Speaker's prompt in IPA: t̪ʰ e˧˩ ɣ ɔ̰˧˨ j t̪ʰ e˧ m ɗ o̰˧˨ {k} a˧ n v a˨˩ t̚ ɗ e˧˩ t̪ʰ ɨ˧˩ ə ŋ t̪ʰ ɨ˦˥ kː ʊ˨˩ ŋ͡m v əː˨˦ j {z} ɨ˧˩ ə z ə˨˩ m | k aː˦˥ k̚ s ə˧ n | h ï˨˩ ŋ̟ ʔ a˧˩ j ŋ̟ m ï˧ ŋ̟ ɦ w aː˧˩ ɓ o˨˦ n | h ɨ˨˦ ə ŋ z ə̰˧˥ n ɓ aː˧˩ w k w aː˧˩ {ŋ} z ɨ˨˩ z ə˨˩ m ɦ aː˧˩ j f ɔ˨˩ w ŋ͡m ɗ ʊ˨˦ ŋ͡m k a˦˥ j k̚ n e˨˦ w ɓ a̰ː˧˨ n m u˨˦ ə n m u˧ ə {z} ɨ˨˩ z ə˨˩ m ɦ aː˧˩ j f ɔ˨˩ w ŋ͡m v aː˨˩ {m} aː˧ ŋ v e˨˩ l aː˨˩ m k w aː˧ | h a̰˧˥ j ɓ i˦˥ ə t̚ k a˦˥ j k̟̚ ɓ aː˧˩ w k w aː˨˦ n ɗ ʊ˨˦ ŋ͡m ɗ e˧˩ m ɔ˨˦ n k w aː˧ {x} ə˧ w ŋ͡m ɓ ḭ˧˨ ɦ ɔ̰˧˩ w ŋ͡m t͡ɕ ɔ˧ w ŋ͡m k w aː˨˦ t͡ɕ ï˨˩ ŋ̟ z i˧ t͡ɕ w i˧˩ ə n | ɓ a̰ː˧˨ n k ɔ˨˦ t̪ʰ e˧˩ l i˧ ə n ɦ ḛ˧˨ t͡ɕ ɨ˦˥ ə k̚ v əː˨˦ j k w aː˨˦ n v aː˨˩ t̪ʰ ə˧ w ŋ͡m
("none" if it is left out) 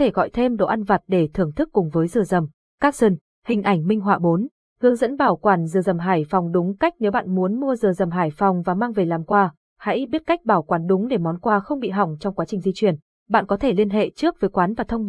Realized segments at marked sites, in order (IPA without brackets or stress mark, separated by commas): ʔ, z, n, z, m, x